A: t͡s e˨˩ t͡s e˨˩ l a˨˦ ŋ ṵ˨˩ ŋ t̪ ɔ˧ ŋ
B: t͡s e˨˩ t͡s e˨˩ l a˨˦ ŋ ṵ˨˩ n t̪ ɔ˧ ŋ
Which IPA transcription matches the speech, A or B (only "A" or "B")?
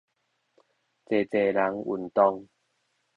B